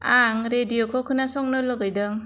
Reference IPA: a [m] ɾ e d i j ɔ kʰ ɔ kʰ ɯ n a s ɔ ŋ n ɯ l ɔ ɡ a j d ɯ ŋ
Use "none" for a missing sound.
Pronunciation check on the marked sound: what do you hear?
ŋ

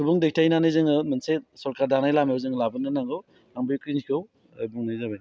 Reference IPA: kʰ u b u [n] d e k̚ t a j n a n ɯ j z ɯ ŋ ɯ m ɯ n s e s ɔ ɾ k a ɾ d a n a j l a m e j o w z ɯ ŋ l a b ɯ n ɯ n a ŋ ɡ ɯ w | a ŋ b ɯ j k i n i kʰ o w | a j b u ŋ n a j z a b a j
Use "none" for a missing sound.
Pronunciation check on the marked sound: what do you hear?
ŋ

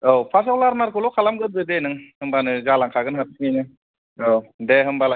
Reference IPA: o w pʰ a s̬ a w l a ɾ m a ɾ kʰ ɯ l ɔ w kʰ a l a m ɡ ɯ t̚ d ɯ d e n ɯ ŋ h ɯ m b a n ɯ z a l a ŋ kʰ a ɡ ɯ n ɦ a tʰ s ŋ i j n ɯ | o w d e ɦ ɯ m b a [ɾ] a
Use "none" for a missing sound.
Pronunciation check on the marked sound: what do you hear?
l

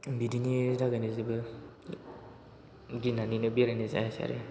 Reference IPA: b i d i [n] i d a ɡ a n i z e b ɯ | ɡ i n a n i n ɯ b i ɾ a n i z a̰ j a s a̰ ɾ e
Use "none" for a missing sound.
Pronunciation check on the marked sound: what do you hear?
n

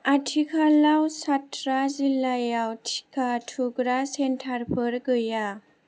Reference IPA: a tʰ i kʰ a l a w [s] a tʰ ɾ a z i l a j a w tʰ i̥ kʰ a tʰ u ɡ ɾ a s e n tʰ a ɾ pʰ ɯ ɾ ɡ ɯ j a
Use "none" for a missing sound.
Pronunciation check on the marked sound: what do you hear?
s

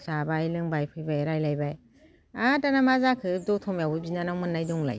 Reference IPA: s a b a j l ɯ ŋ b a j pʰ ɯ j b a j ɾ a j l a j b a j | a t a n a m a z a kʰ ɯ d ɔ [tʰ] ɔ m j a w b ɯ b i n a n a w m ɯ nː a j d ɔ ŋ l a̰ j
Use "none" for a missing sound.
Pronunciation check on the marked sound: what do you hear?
tʰ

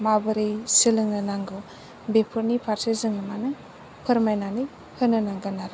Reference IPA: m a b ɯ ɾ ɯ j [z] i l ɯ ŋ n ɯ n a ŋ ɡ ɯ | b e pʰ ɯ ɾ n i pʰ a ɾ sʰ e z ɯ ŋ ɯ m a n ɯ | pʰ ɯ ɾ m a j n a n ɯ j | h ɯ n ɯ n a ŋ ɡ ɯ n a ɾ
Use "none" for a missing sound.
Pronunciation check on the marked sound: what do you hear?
s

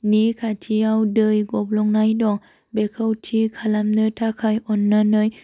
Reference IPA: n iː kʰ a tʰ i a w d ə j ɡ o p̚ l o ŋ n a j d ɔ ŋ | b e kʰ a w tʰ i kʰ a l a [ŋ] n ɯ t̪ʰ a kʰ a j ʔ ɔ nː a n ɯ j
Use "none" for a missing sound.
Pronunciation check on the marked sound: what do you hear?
m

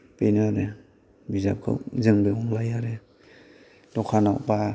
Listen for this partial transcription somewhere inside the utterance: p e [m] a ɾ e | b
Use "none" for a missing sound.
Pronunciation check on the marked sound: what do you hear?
n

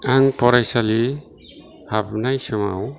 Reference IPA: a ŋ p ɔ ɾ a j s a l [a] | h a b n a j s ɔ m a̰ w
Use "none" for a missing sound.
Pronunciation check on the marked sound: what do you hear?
i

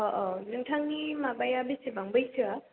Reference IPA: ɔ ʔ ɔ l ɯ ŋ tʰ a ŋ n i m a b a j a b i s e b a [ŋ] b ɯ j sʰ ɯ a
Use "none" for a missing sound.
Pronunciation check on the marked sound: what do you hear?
ŋ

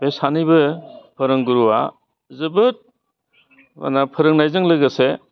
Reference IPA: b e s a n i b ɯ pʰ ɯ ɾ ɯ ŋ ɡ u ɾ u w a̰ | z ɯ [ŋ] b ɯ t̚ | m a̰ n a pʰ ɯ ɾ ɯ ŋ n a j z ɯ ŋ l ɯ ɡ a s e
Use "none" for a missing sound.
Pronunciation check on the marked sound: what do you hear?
none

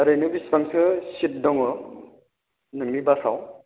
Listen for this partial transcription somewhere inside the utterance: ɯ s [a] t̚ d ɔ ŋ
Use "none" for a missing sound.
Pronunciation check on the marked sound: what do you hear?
i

